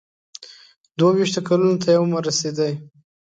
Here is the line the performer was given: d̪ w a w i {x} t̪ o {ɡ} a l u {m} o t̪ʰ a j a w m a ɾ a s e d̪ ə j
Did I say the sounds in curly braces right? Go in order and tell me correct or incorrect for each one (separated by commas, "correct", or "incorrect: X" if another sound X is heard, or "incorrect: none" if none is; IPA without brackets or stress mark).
incorrect: ʃ, incorrect: k, incorrect: n